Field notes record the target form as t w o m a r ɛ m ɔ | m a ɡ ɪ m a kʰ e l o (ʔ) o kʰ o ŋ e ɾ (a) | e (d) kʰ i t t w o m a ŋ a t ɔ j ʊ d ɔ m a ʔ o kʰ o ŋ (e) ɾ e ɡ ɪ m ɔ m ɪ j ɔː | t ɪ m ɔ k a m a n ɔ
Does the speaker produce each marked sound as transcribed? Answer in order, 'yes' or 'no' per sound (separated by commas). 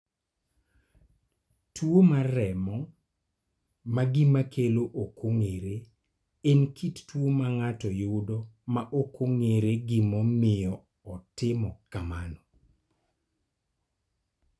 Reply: yes, no, no, yes